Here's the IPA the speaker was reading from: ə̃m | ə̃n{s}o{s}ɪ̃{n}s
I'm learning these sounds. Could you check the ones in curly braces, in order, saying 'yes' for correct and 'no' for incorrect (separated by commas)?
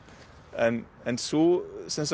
yes, yes, yes